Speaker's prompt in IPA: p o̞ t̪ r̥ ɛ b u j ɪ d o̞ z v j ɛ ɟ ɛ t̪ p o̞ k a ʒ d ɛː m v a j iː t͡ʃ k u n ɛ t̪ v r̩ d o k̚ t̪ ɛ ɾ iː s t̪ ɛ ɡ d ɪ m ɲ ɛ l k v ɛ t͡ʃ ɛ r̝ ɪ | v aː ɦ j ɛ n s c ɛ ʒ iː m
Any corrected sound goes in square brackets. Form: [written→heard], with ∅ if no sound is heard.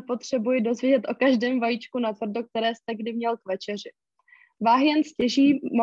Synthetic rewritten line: p o̞ t̪ r̥ ɛ b u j ɪ d o̞ z v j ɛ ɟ ɛ t̪ [p→ʔ] o̞ k a ʒ d ɛː m v a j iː t͡ʃ k u n [ɛ→a] t̪ v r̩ d o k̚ t̪ ɛ ɾ [iː→ɛː] s t̪ ɛ ɡ d ɪ m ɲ ɛ l k v ɛ t͡ʃ ɛ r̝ ɪ | v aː ɦ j ɛ n s c ɛ ʒ iː m